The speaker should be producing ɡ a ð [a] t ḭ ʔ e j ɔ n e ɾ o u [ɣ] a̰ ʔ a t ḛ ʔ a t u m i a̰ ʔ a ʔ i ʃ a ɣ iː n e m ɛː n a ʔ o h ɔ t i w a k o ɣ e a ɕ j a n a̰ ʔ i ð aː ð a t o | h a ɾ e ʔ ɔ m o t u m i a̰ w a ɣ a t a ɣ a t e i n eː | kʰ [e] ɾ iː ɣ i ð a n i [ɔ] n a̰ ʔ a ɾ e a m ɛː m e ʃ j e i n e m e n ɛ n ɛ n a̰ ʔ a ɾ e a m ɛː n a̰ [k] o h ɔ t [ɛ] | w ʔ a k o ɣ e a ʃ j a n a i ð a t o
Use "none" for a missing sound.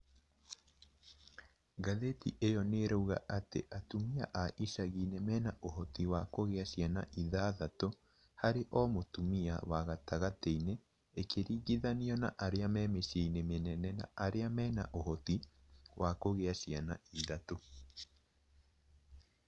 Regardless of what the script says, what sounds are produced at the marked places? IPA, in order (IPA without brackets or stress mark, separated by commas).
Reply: e, ɣ, e, ɔ, ʔ, i